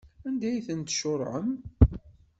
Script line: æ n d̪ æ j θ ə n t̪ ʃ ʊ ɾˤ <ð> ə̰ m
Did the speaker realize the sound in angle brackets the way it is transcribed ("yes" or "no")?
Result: no